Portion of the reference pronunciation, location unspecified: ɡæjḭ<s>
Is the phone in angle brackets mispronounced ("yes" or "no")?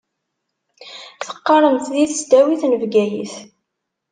yes